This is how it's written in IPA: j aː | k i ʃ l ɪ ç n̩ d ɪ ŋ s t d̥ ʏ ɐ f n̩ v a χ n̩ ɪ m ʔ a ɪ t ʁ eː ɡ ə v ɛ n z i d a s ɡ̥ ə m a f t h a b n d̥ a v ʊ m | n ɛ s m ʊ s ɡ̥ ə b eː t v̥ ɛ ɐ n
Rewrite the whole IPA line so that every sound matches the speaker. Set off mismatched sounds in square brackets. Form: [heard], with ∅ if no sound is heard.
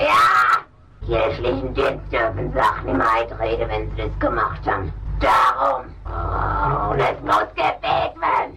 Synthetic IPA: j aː | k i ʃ l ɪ ç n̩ d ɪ [n] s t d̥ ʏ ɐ f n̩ [z] a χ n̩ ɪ m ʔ a ɪ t ʁ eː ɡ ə v ɛ n z i d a s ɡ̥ ə m a [χ] t h a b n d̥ a [ʁ] ʊ m | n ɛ s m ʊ s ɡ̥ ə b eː t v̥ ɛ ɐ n